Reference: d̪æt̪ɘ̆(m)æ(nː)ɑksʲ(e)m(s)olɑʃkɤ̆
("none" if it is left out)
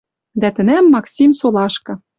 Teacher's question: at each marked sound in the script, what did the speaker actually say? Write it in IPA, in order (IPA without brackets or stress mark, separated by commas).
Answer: n, mː, i, s